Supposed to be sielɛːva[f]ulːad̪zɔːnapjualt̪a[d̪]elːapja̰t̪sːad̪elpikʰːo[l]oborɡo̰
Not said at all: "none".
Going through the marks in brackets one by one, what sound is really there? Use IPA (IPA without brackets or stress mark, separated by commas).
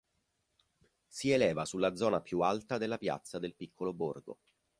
s, d̪, l